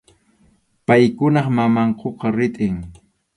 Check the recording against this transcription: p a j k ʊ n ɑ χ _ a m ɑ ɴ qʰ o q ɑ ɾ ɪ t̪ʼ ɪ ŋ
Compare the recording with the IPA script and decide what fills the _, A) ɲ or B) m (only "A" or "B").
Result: B